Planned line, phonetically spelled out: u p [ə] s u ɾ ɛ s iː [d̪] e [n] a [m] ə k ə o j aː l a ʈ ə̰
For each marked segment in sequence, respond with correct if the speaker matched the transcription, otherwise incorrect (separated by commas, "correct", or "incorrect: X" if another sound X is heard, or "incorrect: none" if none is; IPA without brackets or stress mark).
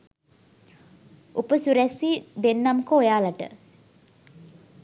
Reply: correct, correct, incorrect: nː, correct